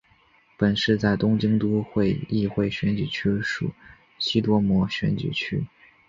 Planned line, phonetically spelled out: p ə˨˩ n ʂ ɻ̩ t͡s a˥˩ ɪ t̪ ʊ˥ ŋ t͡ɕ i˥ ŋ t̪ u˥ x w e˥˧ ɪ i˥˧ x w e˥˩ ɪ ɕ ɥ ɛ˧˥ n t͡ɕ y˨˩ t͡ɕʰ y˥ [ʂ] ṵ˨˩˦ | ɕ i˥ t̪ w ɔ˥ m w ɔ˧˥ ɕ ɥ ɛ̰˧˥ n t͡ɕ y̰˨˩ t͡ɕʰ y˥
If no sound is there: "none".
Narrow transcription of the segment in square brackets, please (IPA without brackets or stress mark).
ʂ